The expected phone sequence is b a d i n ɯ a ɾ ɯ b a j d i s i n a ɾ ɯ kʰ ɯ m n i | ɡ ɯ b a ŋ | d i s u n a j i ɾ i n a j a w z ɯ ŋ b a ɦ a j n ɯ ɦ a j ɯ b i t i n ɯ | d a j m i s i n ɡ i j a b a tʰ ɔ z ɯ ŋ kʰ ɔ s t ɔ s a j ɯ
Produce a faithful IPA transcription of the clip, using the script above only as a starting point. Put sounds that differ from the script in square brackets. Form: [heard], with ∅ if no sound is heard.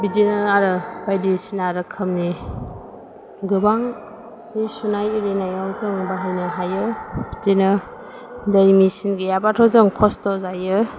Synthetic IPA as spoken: b [i] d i n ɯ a ɾ ɯ b a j d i s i n a ɾ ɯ kʰ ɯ m n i | ɡ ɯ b a ŋ | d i s u n a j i ɾ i n a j a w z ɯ ŋ b a ɦ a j n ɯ ɦ a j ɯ b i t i n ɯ | d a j m i s i n ɡ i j a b a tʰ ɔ z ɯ ŋ kʰ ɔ s t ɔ [z] a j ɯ

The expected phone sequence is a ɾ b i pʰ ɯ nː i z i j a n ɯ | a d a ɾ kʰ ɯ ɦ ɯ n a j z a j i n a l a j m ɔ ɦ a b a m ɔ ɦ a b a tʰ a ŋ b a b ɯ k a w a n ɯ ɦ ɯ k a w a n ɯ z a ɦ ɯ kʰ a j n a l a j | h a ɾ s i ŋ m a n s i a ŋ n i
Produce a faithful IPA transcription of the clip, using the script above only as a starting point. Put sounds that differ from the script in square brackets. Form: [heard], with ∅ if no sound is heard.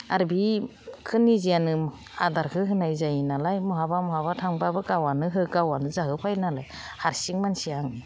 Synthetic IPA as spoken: a ɾ b i [kʰ] ɯ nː i z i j a n ɯ | a d a ɾ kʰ ɯ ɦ ɯ n a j z a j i n a l a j m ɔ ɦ a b a m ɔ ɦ a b a tʰ a ŋ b a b ɯ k a w a n ɯ ɦ ɯ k a w a n ɯ z a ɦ ɯ [pʰ] a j n a l a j | h a ɾ s i ŋ m a n s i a ŋ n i

